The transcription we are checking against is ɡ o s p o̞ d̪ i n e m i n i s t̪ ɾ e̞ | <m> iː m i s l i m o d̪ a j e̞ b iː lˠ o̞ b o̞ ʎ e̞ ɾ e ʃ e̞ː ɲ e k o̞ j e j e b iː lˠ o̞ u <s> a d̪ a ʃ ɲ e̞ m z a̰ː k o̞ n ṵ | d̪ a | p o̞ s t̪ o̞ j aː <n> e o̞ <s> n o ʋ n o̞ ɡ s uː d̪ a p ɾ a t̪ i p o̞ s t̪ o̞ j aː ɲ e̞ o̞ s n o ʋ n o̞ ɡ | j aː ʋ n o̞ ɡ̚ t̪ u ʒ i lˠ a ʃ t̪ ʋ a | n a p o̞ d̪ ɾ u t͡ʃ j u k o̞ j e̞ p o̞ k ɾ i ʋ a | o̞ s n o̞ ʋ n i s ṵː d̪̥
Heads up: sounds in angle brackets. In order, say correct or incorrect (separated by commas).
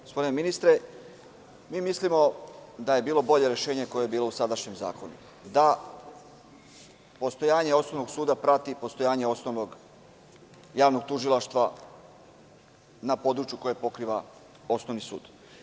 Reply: correct, correct, incorrect, correct